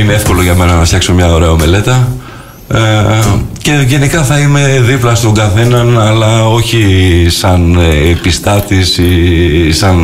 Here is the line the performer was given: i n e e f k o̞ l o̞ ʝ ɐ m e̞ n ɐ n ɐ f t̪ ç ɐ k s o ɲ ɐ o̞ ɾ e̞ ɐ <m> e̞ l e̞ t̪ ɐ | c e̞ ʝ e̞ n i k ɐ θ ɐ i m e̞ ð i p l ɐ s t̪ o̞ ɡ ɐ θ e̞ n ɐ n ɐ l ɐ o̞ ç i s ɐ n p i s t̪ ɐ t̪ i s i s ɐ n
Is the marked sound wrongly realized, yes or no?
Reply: no